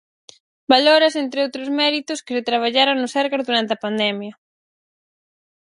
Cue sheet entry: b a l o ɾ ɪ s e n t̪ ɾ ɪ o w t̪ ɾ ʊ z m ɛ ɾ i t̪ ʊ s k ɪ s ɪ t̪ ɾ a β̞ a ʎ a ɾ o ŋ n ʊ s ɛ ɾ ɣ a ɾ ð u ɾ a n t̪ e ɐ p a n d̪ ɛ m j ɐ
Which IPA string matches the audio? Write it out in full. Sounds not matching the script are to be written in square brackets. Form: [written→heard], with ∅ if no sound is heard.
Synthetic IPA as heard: b a l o ɾ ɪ s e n t̪ ɾ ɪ o w t̪ ɾ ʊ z m ɛ ɾ i t̪ ʊ s k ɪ s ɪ t̪ ɾ a β̞ a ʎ a ɾ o ŋ n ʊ s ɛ ɾ ɣ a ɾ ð u ɾ a n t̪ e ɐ p a n d̪ ɛ m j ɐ